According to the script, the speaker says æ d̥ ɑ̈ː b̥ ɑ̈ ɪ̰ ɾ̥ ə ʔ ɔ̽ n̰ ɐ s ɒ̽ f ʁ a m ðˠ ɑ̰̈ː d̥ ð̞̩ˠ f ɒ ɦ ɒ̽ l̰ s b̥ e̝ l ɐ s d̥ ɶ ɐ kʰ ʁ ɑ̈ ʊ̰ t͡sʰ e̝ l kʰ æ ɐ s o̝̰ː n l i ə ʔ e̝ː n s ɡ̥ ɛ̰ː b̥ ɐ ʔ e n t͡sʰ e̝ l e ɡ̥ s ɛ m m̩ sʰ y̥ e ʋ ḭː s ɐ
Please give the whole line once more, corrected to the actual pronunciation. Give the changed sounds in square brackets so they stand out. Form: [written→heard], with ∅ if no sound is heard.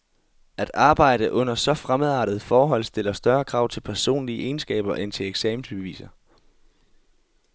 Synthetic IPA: æ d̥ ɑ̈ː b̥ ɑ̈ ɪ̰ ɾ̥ ə ʔ ɔ̽ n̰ ɐ s ɒ̽ f ʁ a m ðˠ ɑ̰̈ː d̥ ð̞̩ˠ f [ɒ→ɒː] ɦ ɒ̽ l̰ s [b̥→d̥] e̝ l ɐ s d̥ ɶ ɐ kʰ ʁ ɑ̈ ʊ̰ t͡sʰ e̝ l [kʰ→pʰ] æ ɐ s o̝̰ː n l i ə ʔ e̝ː n s ɡ̥ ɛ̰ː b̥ ɐ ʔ e n t͡sʰ e̝ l e ɡ̥ s ɛ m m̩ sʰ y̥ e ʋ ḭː s ɐ